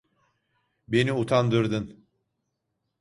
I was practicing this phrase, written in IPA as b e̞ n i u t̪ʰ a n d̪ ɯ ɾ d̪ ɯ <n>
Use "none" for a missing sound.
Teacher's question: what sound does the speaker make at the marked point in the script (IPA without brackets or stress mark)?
n